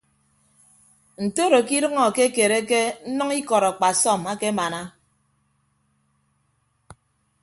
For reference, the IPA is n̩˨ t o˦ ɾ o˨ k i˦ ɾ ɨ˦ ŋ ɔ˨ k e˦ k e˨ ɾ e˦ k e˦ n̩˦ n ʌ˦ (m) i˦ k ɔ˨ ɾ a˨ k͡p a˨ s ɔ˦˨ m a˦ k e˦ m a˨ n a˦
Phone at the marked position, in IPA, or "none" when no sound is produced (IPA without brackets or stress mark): ŋ